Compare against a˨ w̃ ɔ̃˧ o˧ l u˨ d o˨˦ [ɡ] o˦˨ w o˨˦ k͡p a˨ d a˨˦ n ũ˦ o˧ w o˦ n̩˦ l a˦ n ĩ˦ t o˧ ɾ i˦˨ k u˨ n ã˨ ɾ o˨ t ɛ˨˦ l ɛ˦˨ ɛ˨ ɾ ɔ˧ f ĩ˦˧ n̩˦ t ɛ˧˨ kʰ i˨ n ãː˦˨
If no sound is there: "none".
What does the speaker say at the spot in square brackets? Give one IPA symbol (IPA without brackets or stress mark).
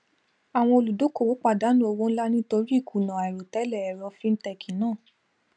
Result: k